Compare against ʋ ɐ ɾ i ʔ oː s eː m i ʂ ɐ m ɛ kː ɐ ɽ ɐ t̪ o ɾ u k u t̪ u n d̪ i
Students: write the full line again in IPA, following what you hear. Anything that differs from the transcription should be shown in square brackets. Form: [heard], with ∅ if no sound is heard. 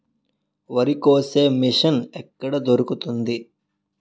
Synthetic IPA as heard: ʋ ɐ ɾ i [k] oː s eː m i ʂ ɐ [n] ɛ kː ɐ ɽ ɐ [d̪] o ɾ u k u t̪ u n d̪ i